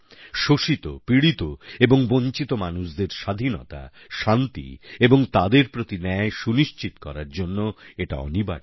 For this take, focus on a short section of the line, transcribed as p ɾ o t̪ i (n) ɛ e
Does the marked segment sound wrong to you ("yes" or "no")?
no